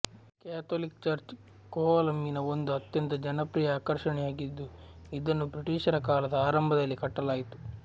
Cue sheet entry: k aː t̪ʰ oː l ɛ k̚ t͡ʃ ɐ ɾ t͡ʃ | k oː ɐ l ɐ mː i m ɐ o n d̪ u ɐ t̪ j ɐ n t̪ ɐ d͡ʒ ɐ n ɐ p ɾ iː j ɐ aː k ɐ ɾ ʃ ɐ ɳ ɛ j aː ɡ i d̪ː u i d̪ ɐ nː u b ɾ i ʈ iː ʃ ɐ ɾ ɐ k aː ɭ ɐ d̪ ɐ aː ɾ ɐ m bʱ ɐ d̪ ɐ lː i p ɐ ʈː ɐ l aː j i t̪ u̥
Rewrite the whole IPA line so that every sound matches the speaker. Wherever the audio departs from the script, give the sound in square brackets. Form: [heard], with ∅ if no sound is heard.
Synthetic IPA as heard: k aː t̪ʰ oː l [i] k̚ t͡ʃ ɐ ɾ t͡ʃ | k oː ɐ l ɐ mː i [n] ɐ o n d̪ u ɐ t̪ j ɐ n t̪ ɐ d͡ʒ ɐ n ɐ p ɾ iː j ɐ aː k ɐ ɾ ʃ ɐ ɳ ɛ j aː ɡ i d̪ː u i d̪ ɐ nː u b ɾ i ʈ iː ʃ ɐ ɾ ɐ k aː [l] ɐ d̪ ɐ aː ɾ ɐ m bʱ ɐ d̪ ɐ lː i [k] ɐ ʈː ɐ l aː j i t̪ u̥